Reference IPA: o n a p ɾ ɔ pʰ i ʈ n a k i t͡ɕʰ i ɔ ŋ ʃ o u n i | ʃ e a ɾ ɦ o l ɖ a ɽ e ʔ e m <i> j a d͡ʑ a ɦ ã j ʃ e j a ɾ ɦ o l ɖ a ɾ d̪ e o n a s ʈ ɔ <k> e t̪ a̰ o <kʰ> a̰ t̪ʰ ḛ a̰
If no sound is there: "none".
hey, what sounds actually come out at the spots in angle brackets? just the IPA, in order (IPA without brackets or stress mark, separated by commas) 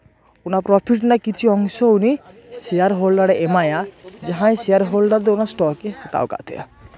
a, k, k